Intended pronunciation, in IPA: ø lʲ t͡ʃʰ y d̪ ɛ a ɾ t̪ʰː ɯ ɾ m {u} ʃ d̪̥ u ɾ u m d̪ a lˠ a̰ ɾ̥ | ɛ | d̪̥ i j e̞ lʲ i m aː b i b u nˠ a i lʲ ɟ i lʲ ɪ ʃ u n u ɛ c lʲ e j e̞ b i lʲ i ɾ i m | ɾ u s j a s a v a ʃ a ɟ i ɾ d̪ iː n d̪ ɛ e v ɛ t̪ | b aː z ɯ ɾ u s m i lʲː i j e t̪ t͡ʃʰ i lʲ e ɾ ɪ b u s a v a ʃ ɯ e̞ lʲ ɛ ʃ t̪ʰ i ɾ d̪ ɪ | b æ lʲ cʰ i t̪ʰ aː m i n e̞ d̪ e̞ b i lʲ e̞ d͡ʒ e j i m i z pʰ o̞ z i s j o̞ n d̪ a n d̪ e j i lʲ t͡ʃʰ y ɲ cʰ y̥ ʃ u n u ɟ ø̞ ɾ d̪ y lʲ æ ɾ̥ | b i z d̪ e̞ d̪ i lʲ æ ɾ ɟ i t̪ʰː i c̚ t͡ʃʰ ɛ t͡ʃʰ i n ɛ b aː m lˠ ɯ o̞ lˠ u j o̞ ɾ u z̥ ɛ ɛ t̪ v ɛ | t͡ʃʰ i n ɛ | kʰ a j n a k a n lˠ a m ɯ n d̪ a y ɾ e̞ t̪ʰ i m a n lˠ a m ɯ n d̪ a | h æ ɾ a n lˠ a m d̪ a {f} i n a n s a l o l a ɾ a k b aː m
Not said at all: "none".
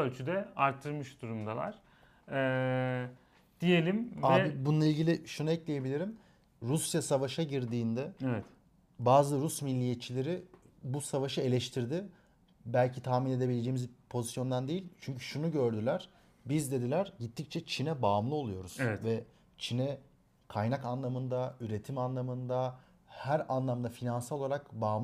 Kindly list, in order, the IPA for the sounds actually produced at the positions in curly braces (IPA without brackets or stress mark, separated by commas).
ɯ, f